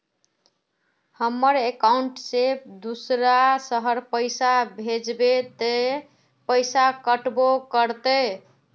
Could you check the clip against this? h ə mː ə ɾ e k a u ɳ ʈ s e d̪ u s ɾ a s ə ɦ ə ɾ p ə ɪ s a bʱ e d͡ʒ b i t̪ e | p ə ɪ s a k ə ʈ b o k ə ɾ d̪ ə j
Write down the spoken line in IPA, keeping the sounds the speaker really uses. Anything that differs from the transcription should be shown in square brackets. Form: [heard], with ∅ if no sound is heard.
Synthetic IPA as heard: h ə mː ə ɾ e k a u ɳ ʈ s e d̪ u s ɾ a s ə ɦ ə ɾ p ə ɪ s a bʱ e d͡ʒ b [e] t̪ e | p ə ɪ s a k ə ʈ b o k ə ɾ [t̪] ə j